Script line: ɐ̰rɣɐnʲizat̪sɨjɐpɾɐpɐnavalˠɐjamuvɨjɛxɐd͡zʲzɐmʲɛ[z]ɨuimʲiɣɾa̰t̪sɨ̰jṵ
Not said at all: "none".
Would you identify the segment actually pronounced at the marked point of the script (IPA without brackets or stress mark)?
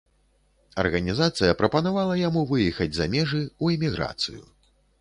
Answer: ʐ